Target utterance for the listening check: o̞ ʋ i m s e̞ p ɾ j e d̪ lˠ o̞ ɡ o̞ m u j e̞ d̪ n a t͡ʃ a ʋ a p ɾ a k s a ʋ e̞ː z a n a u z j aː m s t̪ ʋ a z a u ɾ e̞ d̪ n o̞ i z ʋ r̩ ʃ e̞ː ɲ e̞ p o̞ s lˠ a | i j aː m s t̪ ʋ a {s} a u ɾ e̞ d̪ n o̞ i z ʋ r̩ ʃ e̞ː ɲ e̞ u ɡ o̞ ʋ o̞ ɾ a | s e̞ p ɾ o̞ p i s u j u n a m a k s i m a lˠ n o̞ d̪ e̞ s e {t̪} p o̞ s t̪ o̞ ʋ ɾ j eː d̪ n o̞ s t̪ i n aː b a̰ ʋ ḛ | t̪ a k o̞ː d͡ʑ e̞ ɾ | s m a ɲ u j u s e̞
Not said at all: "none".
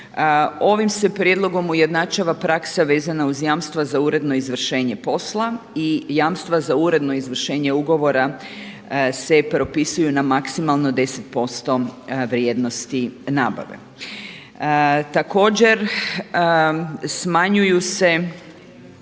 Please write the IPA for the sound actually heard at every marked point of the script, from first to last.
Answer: z, t̪

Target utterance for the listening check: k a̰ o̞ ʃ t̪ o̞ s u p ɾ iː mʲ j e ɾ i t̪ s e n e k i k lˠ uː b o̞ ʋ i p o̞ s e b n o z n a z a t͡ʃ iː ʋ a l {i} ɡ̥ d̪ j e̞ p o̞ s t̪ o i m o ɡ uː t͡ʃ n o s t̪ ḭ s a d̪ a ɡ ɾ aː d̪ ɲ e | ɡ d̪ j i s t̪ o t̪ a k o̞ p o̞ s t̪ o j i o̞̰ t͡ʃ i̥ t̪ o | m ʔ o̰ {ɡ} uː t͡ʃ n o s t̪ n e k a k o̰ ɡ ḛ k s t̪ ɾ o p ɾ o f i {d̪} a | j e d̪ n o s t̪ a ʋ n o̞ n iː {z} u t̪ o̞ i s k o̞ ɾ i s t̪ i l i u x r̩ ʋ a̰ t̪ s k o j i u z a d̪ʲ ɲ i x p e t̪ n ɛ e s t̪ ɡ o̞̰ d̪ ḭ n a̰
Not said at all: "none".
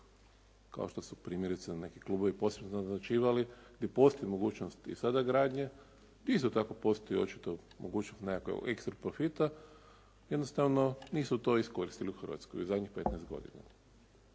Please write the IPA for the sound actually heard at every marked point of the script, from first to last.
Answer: i, ɡ, t̪, s

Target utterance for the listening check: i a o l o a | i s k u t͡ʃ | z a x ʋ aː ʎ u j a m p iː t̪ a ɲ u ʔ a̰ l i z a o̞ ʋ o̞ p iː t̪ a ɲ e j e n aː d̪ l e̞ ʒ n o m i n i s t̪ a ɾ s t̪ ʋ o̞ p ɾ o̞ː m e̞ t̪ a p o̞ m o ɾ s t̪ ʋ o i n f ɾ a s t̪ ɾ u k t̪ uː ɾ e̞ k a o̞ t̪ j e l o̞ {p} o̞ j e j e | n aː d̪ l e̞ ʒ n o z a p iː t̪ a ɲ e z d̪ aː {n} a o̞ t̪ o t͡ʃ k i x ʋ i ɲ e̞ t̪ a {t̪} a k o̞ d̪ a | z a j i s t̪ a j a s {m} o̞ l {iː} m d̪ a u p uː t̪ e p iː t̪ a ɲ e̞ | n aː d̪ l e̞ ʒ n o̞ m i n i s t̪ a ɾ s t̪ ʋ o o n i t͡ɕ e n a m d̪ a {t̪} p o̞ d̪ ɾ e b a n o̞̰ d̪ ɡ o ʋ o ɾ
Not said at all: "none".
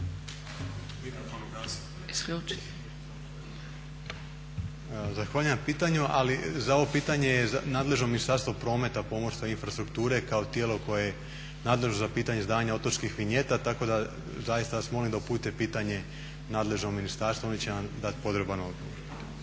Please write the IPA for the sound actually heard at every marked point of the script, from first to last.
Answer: k, ɲ, t̪, m, i, t̪

